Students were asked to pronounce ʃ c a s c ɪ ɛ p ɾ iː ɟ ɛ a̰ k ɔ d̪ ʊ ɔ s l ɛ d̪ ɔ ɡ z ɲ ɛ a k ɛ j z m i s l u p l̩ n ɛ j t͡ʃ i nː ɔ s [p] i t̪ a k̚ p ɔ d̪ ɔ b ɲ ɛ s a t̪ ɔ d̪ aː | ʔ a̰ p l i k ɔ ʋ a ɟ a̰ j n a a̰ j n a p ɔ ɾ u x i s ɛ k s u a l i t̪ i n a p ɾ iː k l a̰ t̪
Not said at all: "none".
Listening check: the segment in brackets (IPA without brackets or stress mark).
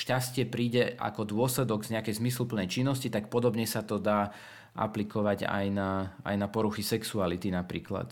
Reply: c